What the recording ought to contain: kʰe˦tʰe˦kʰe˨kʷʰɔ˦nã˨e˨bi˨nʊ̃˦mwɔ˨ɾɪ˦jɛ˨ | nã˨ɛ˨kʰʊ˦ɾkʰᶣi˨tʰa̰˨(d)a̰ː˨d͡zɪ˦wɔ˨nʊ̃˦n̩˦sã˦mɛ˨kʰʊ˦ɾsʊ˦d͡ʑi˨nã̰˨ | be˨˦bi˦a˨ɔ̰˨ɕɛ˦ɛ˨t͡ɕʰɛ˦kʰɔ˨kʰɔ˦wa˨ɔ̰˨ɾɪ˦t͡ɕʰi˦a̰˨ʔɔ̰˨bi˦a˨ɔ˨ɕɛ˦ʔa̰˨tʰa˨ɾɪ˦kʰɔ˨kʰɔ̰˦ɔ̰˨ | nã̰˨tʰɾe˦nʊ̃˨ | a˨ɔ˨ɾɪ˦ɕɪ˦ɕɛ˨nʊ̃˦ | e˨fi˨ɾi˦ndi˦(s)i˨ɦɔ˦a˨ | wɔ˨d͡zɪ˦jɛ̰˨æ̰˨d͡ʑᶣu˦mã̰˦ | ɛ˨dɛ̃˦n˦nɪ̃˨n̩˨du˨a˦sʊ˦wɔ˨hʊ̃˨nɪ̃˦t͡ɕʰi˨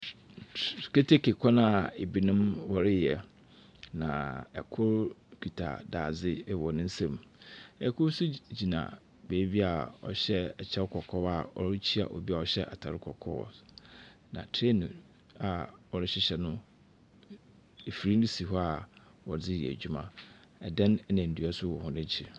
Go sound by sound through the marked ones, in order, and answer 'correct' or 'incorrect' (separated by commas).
correct, correct